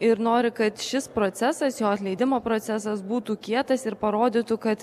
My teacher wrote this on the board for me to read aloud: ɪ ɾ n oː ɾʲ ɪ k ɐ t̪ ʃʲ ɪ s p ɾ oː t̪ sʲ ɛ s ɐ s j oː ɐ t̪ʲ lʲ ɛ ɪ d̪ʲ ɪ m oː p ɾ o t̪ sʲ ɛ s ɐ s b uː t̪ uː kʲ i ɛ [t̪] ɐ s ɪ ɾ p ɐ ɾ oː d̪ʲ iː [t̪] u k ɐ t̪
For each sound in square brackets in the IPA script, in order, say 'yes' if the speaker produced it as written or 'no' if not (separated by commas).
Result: yes, yes